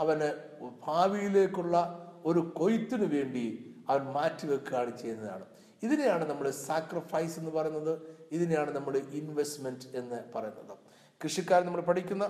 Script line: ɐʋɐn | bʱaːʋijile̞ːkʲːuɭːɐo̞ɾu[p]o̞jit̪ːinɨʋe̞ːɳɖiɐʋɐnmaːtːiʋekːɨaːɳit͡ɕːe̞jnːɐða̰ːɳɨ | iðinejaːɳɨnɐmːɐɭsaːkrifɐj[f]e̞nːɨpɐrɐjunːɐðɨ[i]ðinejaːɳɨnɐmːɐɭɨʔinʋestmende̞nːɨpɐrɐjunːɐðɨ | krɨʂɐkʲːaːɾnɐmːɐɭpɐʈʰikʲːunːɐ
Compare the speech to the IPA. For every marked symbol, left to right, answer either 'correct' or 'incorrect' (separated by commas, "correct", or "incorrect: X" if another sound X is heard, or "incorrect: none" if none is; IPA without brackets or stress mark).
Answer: incorrect: k, incorrect: s, correct